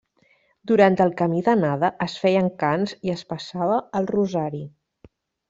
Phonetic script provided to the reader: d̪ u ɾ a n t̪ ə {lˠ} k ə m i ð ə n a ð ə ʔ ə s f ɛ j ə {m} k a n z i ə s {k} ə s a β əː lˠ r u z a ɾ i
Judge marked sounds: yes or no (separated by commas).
yes, no, no